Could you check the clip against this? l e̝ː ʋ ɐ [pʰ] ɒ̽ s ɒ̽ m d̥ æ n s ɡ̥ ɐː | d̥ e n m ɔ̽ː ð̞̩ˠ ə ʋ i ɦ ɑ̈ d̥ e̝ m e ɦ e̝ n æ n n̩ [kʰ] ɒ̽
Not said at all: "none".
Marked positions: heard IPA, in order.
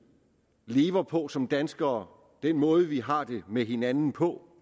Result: pʰ, pʰ

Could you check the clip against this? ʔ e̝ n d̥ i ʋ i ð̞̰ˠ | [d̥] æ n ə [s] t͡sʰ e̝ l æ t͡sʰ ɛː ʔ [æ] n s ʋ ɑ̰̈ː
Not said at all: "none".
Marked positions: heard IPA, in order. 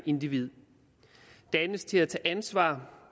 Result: d̥, s, æ

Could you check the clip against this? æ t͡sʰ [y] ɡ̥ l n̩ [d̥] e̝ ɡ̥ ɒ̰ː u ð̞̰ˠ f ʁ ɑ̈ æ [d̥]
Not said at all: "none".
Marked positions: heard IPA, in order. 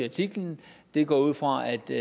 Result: i, d̥, d̥

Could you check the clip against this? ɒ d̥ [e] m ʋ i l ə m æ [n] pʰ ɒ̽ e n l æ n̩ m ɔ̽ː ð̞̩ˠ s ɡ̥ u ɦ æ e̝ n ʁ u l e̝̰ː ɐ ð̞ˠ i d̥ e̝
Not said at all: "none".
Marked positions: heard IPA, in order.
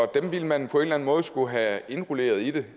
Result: e, n

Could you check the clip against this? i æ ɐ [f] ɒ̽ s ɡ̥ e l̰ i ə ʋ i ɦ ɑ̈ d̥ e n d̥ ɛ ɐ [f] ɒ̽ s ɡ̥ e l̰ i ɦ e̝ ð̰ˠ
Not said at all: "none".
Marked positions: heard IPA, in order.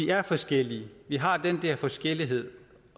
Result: f, f

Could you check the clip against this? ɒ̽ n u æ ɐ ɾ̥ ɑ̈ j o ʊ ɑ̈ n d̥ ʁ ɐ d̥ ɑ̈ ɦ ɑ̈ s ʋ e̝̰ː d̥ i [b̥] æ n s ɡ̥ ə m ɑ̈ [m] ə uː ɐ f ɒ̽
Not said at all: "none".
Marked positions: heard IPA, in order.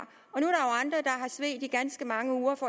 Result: ɡ̥, ŋ

